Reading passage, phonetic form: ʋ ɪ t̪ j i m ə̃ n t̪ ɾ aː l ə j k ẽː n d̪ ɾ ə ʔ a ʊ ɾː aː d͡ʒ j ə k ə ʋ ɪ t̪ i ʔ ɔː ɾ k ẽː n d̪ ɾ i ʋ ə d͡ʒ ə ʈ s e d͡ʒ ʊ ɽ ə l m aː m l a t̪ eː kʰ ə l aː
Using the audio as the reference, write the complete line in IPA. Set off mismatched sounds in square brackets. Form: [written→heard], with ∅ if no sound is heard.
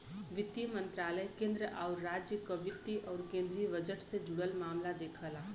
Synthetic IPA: ʋ ɪ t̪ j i m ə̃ n t̪ ɾ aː l ə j k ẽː n d̪ ɾ ə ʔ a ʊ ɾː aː d͡ʒ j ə k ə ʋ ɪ t̪ i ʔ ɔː ɾ k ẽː n d̪ ɾ i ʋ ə d͡ʒ ə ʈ s e d͡ʒ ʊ ɽ ə l m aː m l a [t̪→d̪] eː kʰ ə l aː

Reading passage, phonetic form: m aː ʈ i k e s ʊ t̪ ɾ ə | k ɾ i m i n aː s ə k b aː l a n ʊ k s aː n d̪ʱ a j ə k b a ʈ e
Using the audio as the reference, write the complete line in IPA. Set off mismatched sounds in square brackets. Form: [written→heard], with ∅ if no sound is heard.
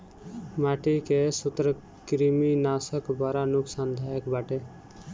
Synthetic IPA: m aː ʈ i k e s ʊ t̪ ɾ ə | k ɾ i m i n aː s ə k b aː [l→ɾ] a n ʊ k s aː n d̪ʱ a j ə k b a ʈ e

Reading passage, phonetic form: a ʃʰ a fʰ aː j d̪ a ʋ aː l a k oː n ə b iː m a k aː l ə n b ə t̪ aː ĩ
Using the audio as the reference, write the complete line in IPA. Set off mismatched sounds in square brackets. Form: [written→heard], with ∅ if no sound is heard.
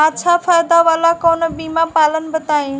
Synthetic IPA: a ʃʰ a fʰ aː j d̪ a ʋ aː l a k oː n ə b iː m a [k→p] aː l ə n b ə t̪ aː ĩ

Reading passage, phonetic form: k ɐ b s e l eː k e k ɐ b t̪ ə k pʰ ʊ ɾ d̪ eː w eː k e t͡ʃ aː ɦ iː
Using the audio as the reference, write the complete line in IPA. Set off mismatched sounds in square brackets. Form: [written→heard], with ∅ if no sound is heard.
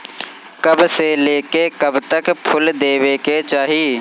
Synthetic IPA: k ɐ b s e l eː k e k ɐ b t̪ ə k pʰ ʊ [ɾ→l] d̪ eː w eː k e t͡ʃ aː ɦ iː

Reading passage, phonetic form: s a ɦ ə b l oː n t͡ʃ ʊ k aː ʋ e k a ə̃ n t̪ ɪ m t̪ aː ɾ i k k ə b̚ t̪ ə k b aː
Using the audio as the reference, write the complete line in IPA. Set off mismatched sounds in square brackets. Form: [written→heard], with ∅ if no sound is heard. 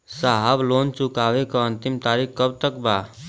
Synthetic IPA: s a ɦ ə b l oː n t͡ʃ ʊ k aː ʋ e k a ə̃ n t̪ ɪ m t̪ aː ɾ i k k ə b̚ t̪ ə k b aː

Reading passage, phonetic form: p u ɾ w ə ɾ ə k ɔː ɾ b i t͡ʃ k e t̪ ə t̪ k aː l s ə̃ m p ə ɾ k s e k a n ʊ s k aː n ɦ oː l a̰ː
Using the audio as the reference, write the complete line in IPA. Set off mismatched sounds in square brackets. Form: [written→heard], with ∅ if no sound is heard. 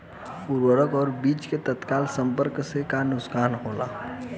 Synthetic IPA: p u ɾ w ə ɾ ə k ɔː ɾ b [i→iː] t͡ʃ k e t̪ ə t̪ k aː l s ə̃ m p ə ɾ k s e k a n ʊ s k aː n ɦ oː l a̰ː

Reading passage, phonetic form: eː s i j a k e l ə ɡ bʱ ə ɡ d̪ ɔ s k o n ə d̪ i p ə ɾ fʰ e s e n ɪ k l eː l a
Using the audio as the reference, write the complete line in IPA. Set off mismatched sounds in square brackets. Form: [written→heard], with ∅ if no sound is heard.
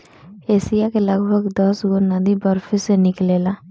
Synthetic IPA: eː s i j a k e l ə ɡ bʱ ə ɡ d̪ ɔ s [k→ɡ] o n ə d̪ i [p→b] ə ɾ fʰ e s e n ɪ k l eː l a

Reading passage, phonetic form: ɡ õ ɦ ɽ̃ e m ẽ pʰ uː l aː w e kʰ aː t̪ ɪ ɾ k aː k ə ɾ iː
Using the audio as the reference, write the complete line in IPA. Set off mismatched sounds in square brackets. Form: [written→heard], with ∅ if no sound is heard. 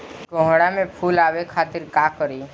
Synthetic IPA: ɡ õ ɦ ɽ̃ [e→a] m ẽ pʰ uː l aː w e kʰ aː t̪ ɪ ɾ k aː k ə ɾ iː

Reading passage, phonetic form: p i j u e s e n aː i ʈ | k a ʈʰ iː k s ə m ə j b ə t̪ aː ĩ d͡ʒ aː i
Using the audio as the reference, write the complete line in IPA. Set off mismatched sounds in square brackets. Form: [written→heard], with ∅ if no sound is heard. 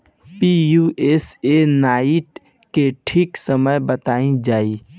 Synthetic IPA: p i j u e s e n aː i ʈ | k [a→e] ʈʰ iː k s ə m ə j b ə t̪ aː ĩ d͡ʒ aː i

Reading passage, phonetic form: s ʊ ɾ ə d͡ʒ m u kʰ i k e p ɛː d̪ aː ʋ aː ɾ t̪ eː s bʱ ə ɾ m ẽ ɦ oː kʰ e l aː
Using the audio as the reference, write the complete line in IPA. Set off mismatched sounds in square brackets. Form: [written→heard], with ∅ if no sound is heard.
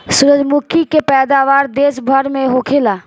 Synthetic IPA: s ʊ ɾ ə d͡ʒ m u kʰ i k e p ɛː d̪ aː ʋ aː ɾ [t̪→d̪] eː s bʱ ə ɾ m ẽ ɦ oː kʰ e l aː

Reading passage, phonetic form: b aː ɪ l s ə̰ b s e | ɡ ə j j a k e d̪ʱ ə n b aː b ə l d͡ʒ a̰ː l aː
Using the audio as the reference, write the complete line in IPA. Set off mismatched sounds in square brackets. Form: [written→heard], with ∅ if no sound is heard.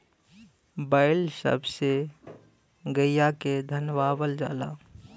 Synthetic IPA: b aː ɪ l s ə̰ b s e | ɡ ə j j a k e d̪ʱ ə n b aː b ə l d͡ʒ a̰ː l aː

